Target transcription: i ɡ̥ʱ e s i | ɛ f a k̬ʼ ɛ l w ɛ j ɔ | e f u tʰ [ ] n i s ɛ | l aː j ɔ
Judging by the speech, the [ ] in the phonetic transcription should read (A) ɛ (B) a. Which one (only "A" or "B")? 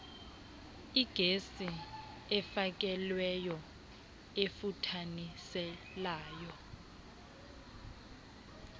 B